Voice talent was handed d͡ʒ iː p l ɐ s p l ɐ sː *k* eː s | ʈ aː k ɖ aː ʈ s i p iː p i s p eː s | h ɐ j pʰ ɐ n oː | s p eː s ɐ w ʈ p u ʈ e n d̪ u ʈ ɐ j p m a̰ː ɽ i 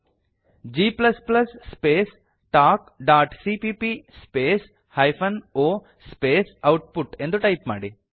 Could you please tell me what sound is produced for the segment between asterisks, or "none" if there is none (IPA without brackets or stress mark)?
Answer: p